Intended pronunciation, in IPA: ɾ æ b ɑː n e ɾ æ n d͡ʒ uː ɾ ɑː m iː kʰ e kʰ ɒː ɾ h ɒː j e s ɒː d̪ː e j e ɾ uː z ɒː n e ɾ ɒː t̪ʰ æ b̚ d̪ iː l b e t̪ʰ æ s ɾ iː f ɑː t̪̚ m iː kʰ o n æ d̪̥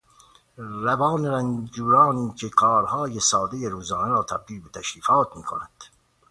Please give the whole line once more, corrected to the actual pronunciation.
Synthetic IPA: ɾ æ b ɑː n e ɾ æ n d͡ʒ uː ɾ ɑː n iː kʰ e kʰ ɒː ɾ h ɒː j e s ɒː d̪ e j e ɾ uː z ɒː n e ɾ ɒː t̪ʰ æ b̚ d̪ iː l b e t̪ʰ æ ʃ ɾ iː f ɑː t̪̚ m iː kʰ o n æ d̪̥